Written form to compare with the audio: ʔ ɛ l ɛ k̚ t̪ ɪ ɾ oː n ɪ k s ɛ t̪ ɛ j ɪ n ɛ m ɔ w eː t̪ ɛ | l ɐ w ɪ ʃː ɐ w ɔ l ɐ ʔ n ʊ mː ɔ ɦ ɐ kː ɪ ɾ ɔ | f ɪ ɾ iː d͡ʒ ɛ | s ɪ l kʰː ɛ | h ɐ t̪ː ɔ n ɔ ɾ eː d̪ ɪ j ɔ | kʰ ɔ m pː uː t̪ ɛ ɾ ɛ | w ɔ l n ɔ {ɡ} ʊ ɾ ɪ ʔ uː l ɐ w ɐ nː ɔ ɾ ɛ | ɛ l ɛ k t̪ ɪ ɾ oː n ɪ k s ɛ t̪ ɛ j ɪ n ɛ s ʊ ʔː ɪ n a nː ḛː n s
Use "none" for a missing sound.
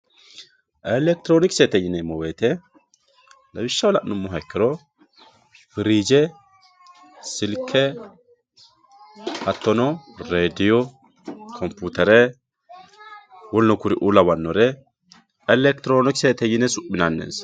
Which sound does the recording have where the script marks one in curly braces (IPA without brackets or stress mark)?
k